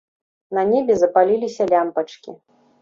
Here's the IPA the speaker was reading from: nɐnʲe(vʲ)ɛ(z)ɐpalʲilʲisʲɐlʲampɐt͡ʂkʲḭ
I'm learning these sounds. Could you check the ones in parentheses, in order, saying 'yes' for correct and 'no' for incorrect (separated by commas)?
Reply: no, yes